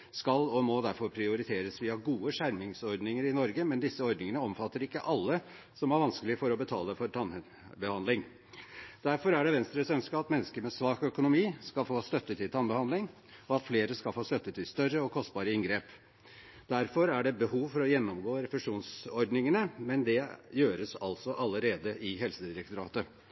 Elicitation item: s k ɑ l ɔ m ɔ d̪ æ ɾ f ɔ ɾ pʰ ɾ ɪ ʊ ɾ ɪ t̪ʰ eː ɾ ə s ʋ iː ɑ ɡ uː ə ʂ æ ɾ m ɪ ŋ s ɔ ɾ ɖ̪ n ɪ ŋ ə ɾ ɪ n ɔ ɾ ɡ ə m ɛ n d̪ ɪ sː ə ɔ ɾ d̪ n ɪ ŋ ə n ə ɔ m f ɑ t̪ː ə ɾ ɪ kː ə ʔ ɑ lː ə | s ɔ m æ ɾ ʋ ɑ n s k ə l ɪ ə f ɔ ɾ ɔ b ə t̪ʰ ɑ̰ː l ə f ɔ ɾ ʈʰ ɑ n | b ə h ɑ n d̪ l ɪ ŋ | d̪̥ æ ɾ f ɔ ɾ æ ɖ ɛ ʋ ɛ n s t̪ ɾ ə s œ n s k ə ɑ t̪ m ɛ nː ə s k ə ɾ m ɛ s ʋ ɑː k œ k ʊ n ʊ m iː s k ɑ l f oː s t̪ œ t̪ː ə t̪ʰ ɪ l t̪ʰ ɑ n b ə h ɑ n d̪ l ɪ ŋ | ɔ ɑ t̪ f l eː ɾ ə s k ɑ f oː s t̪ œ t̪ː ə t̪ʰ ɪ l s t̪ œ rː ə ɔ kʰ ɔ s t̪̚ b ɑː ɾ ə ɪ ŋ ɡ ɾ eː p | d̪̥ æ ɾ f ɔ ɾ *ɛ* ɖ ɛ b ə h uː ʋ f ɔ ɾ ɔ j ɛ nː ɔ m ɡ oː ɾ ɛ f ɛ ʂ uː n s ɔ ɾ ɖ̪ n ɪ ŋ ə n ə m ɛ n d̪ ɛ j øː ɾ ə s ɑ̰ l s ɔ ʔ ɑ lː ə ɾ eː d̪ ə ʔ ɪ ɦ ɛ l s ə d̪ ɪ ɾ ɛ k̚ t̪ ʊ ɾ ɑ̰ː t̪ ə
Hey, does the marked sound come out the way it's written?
no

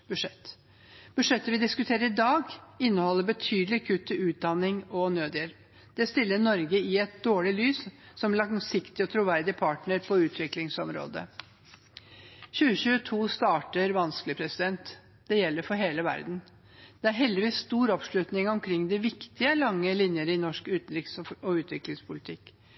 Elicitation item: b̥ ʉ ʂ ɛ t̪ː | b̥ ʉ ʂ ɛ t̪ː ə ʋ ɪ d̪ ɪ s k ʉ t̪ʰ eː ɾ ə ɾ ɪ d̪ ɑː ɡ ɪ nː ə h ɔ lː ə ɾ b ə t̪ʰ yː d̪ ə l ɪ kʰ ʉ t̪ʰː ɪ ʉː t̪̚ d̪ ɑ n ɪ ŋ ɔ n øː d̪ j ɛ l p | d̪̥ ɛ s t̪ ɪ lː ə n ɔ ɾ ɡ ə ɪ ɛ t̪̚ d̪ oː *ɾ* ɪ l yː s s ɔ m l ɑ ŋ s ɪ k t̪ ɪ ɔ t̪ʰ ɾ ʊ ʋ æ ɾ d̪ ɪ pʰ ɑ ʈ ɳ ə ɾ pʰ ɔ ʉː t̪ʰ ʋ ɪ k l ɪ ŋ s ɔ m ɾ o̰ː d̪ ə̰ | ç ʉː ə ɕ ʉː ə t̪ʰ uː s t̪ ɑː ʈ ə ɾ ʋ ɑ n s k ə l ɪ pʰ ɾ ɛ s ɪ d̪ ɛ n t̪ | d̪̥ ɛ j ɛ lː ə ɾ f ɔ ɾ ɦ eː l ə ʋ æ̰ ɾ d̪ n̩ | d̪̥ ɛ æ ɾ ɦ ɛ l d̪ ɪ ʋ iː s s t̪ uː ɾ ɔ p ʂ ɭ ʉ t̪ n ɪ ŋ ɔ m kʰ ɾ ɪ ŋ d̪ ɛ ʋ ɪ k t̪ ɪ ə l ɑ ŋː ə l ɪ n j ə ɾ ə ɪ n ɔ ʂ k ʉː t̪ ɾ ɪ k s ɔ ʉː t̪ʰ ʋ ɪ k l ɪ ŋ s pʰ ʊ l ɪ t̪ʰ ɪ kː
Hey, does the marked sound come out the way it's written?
no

